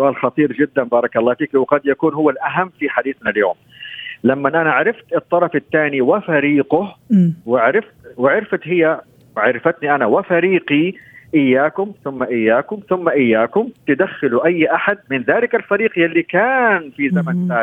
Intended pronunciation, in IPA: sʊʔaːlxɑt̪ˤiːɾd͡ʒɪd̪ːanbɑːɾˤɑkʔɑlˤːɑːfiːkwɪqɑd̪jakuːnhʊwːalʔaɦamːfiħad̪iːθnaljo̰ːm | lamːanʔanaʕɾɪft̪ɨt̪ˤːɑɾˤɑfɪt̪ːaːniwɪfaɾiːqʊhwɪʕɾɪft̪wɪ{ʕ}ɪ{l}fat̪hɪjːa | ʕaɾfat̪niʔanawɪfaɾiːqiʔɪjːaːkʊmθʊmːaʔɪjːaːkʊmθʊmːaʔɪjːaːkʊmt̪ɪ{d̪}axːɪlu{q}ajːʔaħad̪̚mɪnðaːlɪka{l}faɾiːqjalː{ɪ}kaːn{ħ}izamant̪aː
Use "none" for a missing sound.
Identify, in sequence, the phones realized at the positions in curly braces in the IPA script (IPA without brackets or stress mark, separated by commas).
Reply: ʕ, ɾ, d̪, ʔ, l, i, f